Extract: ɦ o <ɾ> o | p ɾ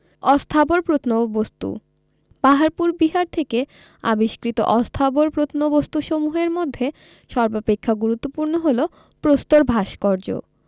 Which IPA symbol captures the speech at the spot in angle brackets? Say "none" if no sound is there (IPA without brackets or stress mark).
l